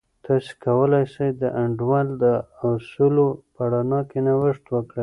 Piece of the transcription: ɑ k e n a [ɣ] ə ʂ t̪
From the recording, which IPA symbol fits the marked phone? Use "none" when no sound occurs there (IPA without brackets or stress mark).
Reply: w